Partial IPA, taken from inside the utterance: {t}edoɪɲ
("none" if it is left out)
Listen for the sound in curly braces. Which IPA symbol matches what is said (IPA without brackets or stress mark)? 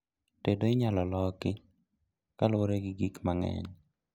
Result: t